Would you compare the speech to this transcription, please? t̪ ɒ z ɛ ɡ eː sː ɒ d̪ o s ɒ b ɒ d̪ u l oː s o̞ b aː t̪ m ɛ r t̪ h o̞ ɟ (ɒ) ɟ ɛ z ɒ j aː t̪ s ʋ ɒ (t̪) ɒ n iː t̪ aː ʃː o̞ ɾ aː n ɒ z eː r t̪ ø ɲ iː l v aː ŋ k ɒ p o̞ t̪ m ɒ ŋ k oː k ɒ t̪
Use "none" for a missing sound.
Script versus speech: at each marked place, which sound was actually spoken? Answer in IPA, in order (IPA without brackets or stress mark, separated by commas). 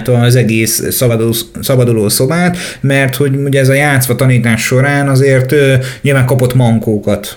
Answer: u, t̪